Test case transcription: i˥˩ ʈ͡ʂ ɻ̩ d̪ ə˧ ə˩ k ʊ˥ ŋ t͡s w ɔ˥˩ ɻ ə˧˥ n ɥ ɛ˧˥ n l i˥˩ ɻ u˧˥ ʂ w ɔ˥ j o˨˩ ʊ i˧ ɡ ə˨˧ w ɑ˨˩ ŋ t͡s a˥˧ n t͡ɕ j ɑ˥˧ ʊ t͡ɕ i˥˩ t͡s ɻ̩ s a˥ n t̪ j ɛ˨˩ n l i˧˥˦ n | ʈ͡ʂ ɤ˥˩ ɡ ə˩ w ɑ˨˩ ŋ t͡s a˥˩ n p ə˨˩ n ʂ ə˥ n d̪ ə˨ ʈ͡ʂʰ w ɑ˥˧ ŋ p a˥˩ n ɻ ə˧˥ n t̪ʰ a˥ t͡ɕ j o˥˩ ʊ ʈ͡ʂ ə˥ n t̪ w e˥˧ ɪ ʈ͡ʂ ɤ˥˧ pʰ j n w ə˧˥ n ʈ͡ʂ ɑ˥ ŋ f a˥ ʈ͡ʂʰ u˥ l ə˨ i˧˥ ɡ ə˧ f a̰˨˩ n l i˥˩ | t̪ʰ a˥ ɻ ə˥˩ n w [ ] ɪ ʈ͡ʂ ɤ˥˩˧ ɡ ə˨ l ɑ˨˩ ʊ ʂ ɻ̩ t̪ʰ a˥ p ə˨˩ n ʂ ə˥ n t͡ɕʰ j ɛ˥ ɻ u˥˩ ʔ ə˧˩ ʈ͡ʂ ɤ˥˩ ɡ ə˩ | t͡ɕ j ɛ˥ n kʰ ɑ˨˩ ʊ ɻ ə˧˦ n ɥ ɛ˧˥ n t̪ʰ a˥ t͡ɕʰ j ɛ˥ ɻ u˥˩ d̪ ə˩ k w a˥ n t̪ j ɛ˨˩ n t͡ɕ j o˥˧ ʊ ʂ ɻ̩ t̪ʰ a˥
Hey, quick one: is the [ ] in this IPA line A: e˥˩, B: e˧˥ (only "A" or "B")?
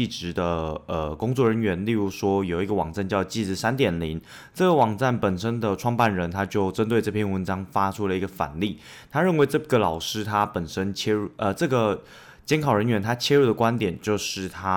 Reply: B